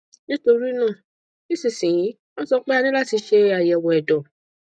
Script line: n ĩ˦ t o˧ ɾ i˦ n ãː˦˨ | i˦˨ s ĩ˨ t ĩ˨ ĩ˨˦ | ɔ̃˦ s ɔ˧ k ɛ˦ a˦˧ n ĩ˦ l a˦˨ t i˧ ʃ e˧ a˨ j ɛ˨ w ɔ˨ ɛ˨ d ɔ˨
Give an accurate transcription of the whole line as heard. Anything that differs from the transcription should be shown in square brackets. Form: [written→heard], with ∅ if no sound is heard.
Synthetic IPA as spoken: n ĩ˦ t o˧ ɾ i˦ n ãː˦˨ | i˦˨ s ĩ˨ [t→s] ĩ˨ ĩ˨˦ | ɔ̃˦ s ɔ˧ [k→k͡p] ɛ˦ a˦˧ n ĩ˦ l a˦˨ t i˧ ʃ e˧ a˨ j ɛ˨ w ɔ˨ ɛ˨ d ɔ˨